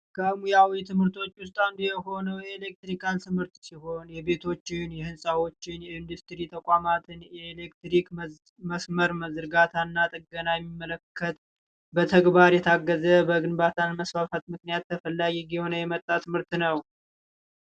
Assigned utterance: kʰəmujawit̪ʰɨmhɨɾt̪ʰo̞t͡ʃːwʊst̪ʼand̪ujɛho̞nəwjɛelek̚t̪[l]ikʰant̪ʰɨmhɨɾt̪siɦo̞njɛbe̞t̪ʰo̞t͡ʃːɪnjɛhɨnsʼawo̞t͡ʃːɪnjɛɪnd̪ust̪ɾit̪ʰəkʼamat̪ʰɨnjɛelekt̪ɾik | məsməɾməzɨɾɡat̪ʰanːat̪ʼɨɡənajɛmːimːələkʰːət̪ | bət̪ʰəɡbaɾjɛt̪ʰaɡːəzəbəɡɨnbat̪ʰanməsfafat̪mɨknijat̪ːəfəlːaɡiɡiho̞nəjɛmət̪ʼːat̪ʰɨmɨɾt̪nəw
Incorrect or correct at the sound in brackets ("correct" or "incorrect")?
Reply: incorrect